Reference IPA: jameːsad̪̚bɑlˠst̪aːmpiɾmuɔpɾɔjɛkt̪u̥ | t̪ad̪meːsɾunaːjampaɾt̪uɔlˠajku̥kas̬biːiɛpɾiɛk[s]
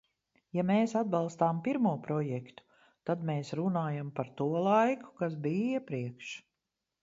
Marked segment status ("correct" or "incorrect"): incorrect